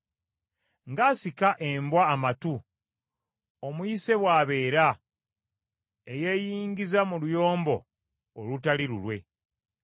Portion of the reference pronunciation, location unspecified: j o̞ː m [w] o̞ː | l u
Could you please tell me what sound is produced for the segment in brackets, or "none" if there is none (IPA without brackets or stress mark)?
b